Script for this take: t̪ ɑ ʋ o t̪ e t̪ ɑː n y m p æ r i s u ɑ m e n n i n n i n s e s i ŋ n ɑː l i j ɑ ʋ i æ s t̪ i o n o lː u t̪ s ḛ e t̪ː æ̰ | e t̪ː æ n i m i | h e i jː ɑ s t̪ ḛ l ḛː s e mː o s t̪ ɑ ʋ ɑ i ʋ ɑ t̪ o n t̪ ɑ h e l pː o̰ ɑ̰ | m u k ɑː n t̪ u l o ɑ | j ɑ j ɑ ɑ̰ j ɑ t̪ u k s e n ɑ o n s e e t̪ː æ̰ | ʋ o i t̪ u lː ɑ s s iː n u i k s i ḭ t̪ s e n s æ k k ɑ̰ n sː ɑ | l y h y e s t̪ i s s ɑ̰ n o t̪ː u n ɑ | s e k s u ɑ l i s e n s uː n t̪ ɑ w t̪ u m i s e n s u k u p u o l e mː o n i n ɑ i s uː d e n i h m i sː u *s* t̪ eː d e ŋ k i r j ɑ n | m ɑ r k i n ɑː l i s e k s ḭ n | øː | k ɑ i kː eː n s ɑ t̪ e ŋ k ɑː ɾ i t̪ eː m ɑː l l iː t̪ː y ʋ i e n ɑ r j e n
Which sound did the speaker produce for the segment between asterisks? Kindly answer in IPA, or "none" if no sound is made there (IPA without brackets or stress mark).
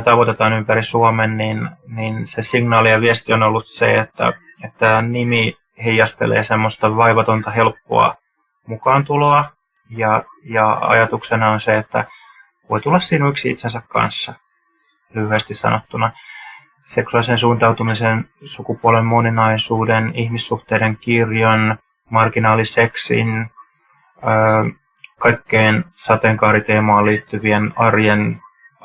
h